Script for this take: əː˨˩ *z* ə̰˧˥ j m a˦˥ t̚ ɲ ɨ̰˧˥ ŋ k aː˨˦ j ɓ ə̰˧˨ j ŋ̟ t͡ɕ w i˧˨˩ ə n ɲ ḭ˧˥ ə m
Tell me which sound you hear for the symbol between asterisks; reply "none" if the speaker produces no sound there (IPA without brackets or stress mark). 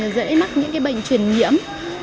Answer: z